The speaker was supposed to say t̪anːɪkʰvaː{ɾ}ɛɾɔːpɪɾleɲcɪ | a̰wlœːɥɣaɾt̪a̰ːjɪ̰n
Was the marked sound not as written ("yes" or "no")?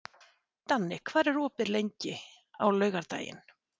no